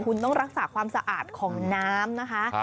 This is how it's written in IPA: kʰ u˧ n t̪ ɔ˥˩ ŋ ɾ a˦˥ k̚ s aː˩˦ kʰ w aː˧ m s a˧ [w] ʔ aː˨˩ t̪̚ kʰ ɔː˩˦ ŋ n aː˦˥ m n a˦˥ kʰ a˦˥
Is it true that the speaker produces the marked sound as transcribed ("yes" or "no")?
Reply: no